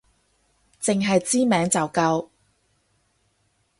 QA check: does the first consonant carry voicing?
no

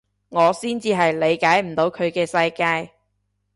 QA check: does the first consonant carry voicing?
yes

